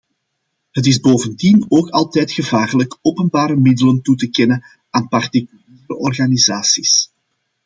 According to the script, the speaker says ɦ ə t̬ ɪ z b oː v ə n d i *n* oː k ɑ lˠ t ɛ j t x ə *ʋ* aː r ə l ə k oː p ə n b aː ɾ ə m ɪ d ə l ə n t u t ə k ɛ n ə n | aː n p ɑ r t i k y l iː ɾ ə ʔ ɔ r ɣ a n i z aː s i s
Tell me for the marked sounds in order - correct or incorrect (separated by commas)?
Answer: correct, incorrect